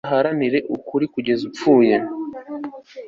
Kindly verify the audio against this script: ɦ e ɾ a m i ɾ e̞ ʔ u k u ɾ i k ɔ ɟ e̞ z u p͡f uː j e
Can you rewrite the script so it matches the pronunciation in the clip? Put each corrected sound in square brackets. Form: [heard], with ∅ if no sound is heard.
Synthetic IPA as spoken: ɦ [a] ɾ a [n] i ɾ e̞ ʔ u k u ɾ i k [u] ɟ e̞ z u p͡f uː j e